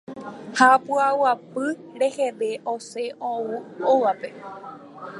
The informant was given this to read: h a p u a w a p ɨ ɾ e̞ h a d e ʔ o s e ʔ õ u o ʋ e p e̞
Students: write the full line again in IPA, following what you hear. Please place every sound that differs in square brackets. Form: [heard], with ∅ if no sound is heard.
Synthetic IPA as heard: h a p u a w a p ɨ ɾ e̞ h [e] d e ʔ o s e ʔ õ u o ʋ [a] p e̞